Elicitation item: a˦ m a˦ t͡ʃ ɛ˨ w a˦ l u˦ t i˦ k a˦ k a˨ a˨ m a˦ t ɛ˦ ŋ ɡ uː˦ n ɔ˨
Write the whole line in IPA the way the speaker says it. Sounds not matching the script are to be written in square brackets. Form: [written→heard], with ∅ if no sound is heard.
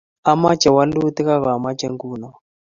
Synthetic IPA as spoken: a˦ m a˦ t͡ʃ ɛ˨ w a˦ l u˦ t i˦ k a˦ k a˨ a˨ m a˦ [t→t͡ʃ] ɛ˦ ŋ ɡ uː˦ n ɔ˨